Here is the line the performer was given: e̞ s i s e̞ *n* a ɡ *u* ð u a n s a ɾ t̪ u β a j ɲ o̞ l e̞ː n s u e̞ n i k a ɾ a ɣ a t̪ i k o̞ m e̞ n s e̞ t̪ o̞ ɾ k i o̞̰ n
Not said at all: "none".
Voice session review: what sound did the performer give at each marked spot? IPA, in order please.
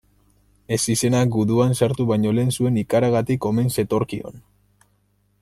n, u

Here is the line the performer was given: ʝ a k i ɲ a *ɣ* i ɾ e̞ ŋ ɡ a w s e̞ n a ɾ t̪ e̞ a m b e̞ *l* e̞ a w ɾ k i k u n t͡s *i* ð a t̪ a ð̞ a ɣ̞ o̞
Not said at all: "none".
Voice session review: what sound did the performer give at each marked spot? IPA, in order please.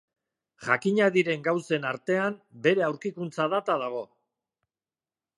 ð, ɾ, a

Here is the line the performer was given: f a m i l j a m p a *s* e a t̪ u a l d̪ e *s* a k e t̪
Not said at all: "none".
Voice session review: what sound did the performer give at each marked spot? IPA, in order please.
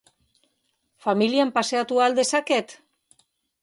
s, s

